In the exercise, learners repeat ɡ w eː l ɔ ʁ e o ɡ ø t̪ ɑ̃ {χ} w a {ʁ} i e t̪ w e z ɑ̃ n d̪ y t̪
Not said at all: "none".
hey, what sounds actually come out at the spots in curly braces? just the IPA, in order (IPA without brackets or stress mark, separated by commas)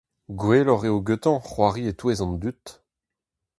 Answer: χ, ʁ